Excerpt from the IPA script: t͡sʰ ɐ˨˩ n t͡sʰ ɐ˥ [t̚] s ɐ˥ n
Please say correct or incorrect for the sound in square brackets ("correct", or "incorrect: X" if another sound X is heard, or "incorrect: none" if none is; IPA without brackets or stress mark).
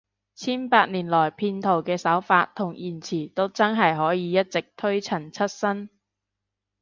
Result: correct